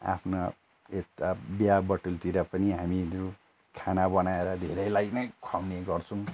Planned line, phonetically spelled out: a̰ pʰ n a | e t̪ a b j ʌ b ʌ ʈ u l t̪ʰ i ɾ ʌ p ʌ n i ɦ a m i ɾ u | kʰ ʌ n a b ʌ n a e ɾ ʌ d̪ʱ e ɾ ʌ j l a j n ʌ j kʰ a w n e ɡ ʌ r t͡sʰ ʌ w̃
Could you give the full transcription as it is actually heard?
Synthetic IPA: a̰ pʰ n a | e t̪ a b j a b ʌ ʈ u l t̪ i ɾ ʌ p ʌ n i ɦ a m i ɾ u | kʰ a n a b ʌ n a e ɾ ʌ d̪ʱ e ɾ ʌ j l a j n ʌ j kʰ a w n e ɡ ʌ r t͡sʰ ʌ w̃